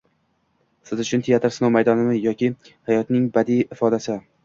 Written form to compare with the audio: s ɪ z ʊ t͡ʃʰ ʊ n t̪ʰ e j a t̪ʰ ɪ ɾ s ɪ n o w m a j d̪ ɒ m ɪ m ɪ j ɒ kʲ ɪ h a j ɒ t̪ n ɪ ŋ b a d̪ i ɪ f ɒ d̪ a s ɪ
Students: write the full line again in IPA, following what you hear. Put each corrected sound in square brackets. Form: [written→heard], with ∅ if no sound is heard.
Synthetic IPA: s ɪ z ʊ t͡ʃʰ ʊ n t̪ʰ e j a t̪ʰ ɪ ɾ s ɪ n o w m a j d̪ ɒ [m→n] ɪ m ɪ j ɒ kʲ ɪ h a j ɒ t̪ n ɪ ŋ b a d̪ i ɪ f ɒ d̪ a s ɪ